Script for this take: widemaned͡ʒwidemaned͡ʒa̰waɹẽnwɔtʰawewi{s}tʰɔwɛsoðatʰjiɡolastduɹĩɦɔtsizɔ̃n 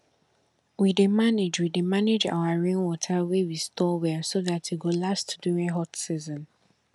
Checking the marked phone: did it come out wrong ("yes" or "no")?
no